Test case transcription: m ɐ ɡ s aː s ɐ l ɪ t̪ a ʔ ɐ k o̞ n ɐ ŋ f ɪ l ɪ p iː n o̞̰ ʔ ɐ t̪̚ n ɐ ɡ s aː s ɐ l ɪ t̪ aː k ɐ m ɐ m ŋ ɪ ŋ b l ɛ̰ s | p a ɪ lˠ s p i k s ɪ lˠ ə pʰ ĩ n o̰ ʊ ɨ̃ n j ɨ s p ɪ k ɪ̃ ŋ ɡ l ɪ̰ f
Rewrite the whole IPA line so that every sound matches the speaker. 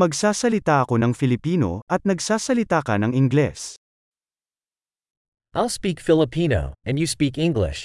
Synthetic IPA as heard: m ɐ ɡ s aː s ɐ l ɪ t̪ a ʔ ɐ k o̞ n ɐ ŋ f ɪ l ɪ p iː n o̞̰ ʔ ɐ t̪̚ n ɐ ɡ s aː s ɐ l ɪ t̪ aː k ɐ n ɐ ŋ ɪ ŋ ɡ l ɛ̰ s | ʔ a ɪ lˠ s p i k f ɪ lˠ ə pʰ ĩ n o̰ ʊ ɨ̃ n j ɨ s p i k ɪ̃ ŋ ɡ l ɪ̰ ʃ